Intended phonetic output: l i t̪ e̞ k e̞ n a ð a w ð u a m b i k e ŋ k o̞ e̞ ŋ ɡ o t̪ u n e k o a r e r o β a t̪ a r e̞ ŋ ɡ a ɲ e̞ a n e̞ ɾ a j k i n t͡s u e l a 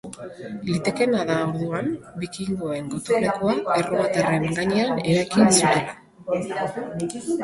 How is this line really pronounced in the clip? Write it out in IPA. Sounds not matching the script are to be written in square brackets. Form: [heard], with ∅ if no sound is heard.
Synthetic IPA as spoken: l i t̪ e̞ k e̞ n a ð a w ð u a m b i k [i] ŋ [ɡ] o̞ e̞ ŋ ɡ o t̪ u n e k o a [∅] e r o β a t̪ a r e̞ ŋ ɡ a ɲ e̞ a n e̞ ɾ a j k i n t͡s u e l a